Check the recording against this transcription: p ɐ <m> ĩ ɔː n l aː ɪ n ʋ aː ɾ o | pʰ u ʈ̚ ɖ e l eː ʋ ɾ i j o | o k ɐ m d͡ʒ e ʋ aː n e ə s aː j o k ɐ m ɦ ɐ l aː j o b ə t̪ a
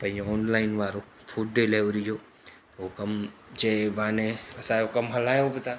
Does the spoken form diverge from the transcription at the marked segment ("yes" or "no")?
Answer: yes